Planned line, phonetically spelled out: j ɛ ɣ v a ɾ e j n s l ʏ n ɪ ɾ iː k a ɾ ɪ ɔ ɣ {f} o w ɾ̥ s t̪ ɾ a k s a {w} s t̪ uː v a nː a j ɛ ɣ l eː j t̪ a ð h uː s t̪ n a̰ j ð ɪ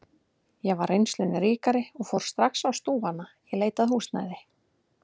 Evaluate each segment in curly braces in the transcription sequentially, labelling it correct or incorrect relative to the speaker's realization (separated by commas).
correct, correct